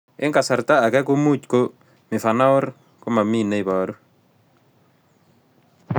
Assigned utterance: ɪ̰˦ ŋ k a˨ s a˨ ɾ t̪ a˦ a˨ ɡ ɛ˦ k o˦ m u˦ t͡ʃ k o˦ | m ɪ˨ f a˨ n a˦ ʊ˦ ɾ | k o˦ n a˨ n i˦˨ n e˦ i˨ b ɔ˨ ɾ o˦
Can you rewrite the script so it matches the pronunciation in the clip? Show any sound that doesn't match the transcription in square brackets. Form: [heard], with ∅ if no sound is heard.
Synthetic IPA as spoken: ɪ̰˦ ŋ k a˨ s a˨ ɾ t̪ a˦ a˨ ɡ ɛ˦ k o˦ m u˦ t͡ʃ k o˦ | m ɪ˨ f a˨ n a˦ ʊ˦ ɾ | k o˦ [m] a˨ [m] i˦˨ n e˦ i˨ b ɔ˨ ɾ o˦